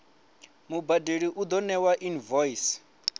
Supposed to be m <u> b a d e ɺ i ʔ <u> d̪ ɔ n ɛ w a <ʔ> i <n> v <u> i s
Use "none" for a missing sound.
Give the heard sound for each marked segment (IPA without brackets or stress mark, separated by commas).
u, u, ʔ, n, ɔ